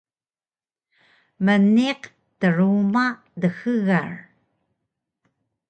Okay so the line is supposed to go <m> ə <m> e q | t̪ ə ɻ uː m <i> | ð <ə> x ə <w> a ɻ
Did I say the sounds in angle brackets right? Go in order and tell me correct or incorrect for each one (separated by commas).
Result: correct, incorrect, incorrect, correct, incorrect